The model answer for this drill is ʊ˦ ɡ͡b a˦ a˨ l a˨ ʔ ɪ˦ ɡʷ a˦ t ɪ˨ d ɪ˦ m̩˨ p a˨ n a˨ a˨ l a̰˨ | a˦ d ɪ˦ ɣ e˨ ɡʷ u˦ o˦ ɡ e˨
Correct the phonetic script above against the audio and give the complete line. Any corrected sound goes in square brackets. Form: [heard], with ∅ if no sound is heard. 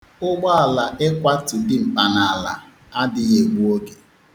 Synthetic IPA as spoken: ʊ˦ ɡ͡b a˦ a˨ l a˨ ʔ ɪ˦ [kʷ] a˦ t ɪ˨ d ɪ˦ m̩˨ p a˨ n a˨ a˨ l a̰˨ | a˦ d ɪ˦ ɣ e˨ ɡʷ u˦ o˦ ɡ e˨